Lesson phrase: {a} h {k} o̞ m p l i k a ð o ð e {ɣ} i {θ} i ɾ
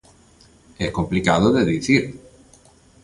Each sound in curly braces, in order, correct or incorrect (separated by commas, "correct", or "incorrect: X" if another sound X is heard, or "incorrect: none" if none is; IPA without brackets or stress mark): incorrect: e, correct, incorrect: ð, correct